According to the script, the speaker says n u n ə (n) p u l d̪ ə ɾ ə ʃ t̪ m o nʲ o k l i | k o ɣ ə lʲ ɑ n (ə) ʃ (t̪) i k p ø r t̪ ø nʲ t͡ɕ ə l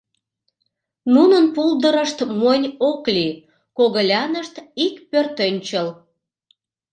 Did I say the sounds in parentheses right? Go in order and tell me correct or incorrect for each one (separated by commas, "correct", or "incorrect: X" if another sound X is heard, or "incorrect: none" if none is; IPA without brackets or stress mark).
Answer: correct, correct, correct